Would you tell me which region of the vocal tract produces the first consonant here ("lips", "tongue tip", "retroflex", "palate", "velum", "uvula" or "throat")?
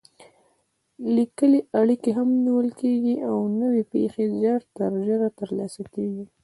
tongue tip